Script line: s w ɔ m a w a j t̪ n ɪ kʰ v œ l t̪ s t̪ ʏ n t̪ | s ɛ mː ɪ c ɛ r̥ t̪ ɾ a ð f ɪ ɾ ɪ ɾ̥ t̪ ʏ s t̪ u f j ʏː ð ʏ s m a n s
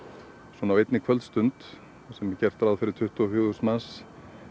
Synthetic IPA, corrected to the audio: s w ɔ n a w e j t̪ n ɪ kʰ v œ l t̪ s t̪ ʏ n t̪ | s ɛ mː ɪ c ɛ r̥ t̪ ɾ a ð f ɪ ɾ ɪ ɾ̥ t̪ʰ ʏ h t̪ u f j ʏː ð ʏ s m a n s